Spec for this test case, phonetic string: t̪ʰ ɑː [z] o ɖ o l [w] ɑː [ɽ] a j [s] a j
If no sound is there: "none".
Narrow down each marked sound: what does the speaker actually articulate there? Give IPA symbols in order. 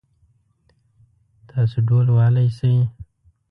s, w, l, s

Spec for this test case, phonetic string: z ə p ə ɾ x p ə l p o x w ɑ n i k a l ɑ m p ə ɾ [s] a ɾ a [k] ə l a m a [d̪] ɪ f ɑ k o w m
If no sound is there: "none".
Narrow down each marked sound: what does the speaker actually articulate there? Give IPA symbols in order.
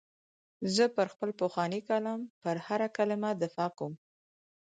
h, k, d̪

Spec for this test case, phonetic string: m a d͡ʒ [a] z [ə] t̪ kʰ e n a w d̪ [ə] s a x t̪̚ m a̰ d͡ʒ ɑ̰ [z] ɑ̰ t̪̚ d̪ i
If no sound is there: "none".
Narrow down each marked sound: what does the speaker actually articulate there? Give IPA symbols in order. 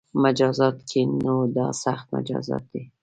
ɑ, ɑ, ɑ, z

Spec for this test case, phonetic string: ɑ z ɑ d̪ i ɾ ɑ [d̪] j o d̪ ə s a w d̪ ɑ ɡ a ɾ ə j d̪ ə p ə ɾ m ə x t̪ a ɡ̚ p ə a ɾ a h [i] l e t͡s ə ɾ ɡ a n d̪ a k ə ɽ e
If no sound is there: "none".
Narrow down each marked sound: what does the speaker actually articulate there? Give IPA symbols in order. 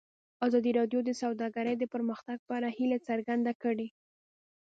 d̪, i

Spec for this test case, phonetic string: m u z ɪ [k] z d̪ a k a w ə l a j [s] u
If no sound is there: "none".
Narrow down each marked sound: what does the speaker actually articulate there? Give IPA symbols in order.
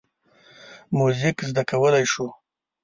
k, ʃ

